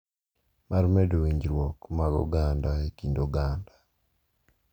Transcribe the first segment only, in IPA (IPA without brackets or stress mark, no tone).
m